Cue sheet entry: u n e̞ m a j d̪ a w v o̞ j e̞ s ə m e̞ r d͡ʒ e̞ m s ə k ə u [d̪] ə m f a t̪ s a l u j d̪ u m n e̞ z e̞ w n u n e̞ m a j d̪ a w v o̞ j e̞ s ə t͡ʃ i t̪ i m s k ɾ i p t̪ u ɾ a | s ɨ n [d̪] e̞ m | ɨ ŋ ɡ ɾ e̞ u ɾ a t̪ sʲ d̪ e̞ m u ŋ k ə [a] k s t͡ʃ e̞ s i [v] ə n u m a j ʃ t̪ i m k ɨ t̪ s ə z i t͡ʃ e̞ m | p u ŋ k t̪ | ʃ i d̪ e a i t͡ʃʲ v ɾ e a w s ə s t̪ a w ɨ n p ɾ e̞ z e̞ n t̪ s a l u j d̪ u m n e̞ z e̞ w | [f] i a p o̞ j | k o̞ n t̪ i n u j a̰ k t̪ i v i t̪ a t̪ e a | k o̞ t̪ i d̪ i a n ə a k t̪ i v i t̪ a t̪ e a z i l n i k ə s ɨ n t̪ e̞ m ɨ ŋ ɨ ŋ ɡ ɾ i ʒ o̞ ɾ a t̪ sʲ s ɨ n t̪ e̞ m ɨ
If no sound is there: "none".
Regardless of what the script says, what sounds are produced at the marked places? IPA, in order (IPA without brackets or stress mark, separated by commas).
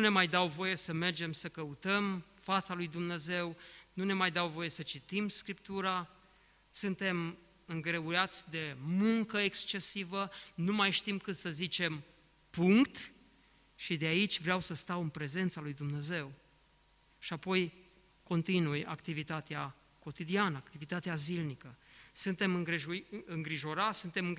t̪, t̪, e, v, ʃ